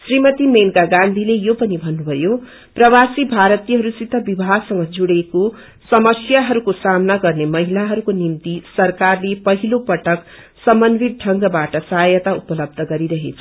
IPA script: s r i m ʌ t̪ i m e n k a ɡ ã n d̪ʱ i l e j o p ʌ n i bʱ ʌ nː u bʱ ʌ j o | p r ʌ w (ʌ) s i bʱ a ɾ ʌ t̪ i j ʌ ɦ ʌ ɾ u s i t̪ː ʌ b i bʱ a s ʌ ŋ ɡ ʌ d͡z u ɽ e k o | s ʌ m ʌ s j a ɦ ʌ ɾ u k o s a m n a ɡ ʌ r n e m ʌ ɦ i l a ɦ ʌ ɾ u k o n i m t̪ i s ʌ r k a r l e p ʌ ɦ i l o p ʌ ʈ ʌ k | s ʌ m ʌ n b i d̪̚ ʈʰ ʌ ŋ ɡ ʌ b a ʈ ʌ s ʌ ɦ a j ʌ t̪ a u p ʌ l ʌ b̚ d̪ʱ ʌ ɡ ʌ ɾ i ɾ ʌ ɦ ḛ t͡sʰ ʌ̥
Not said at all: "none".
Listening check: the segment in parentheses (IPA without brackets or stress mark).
a